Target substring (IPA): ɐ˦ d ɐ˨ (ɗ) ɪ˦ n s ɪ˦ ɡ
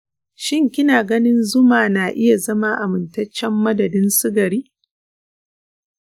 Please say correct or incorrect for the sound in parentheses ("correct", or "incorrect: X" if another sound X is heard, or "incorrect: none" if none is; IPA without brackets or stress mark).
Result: incorrect: d